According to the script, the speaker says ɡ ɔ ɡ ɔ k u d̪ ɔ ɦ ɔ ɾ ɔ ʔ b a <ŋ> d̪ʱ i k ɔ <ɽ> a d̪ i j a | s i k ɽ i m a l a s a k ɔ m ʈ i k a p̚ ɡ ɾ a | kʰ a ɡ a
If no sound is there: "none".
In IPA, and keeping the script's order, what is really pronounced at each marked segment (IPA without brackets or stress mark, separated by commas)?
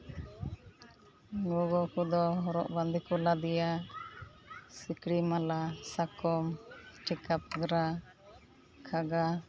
n, l